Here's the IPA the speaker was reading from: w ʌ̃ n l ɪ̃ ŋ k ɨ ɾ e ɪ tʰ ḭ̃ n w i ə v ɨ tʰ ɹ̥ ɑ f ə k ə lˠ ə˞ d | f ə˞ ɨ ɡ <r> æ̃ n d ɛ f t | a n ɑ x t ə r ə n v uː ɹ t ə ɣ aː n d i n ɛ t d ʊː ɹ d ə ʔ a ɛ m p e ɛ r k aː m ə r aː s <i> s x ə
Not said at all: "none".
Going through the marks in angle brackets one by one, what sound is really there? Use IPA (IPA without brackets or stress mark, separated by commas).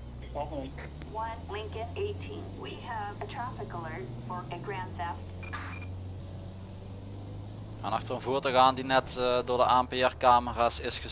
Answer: ɹ, ɪ